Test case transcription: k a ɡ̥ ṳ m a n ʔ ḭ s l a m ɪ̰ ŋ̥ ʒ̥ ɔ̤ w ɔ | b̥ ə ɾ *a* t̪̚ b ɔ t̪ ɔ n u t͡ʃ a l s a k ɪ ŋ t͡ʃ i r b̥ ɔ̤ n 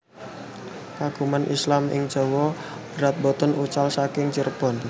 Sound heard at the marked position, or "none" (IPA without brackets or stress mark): a